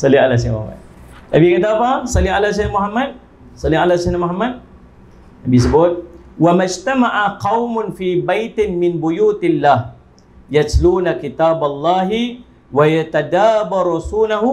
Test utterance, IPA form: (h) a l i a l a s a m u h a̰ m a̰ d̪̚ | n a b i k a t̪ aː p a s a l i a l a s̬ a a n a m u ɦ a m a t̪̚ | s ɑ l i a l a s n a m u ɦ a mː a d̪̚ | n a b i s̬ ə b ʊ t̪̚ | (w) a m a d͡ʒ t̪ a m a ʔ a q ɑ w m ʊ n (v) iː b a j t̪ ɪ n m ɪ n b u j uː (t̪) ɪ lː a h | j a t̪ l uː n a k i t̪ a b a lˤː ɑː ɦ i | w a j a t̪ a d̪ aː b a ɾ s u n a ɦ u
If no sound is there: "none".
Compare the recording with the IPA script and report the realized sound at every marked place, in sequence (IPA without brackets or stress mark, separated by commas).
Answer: s, w, f, t̪